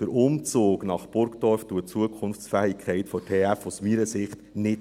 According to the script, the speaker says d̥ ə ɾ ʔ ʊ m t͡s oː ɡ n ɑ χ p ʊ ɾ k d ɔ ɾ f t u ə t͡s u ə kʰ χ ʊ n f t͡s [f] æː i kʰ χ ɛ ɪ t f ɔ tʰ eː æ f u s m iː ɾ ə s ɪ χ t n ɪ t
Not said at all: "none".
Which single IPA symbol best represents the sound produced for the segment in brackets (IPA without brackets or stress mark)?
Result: f